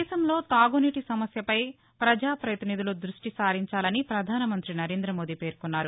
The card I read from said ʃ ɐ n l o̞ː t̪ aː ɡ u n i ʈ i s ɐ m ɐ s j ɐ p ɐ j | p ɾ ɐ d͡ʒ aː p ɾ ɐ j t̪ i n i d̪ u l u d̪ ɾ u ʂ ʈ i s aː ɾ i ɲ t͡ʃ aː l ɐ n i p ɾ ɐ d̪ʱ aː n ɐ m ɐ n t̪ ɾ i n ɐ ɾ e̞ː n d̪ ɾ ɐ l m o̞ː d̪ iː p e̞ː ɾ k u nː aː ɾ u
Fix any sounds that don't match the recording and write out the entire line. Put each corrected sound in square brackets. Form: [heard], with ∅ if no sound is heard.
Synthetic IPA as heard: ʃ ɐ [m] l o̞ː t̪ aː ɡ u n i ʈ i s ɐ m ɐ s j ɐ p ɐ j | p ɾ ɐ d͡ʒ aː p ɾ ɐ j t̪ i n i d̪ u l u d̪ ɾ u ʂ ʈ i s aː ɾ i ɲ t͡ʃ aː l ɐ n i p ɾ ɐ d̪ʱ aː n ɐ m ɐ n t̪ ɾ i n ɐ ɾ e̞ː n d̪ ɾ ɐ [∅] m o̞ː d̪ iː p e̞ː ɾ k u nː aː ɾ u